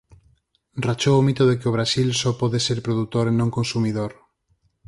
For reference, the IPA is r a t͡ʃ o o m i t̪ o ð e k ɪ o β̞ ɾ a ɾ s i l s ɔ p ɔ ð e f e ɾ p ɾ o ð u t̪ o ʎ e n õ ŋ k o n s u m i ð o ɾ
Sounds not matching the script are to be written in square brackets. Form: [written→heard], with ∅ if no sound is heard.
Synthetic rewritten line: r a t͡ʃ o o m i t̪ o ð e k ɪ o β̞ ɾ a [ɾ→∅] s i l s ɔ p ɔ ð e [f→s] e ɾ p ɾ o ð u t̪ o [ʎ→ɾ] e n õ ŋ k o n s u m i ð o ɾ